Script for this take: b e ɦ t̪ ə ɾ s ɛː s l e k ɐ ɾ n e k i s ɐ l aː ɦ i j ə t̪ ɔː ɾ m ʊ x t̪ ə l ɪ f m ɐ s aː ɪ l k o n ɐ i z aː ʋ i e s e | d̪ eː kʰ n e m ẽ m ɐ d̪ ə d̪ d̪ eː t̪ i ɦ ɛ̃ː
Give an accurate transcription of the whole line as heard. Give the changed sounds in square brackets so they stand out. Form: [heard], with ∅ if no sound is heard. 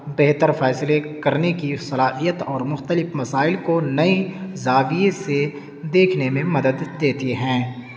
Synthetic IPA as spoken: b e ɦ t̪ ə ɾ [f] ɛː s l e k ɐ ɾ n e k i s ɐ l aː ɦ i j ə t̪ ɔː ɾ m ʊ x t̪ ə l ɪ f m ɐ s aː ɪ l k o n ɐ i z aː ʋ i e s e | d̪ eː kʰ n e m ẽ m ɐ d̪ ə d̪ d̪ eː t̪ i ɦ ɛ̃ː

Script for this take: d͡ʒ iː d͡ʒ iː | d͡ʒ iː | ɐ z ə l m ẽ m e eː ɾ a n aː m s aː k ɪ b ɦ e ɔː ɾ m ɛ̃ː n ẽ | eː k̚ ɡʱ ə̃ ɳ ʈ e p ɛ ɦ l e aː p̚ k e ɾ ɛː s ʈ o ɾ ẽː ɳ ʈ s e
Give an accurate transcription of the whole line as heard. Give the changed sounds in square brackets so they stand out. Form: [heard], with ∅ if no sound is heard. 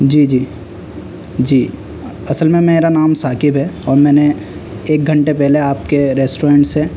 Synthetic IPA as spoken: d͡ʒ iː d͡ʒ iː | d͡ʒ iː | ɐ [s] ə l m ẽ m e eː ɾ a n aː m s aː k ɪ b ɦ [ɛ] ɔː ɾ m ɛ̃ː n [e] | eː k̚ ɡʱ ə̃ ɳ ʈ e p ɛ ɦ l e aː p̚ k e ɾ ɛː s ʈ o ɾ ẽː ɳ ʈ s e

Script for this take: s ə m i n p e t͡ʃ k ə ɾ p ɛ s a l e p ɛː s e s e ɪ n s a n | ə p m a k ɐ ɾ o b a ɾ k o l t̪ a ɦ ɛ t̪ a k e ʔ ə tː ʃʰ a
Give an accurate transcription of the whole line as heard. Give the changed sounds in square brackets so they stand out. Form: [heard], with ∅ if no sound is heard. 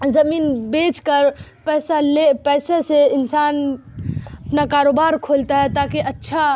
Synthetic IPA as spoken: [z] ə m i n [b] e t͡ʃ k ə ɾ p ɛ s a l e p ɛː s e s e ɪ n s a n | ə p [n] a k [a] ɾ o b a ɾ [kʰ] o l t̪ a ɦ ɛ t̪ a k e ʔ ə tː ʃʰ a

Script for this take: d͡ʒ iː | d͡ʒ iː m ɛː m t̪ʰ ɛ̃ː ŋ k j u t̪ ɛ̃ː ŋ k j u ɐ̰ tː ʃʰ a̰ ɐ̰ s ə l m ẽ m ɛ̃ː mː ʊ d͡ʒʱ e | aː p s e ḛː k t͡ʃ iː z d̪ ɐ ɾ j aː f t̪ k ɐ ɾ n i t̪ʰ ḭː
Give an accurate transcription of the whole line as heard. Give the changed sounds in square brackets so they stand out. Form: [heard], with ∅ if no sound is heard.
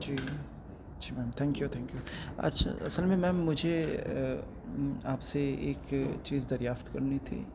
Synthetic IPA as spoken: d͡ʒ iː | d͡ʒ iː m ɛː m t̪ʰ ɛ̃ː ŋ k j u [t̪ʰ] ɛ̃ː ŋ k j u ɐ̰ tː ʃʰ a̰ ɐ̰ s ə l m ẽ m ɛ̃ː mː ʊ d͡ʒʱ e | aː p s e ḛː k t͡ʃ iː z d̪ ɐ ɾ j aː f t̪ k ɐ ɾ n i t̪ʰ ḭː

